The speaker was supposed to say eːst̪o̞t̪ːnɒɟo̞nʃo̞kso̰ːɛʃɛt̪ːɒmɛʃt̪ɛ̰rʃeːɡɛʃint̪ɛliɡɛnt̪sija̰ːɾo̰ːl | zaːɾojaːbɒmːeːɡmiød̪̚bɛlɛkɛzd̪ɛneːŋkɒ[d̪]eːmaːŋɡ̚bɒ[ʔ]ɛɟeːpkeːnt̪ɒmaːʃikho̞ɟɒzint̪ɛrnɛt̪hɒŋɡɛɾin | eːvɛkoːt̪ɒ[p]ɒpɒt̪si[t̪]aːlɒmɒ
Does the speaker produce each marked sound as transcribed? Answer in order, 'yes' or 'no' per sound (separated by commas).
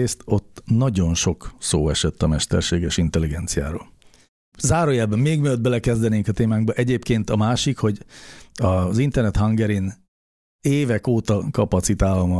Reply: no, yes, no, yes